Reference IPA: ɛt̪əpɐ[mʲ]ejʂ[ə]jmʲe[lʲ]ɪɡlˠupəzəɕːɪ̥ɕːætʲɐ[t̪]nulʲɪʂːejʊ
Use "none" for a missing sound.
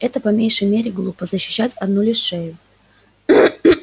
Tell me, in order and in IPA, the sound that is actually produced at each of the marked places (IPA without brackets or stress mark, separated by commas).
mʲ, ə, ɾʲ, d̪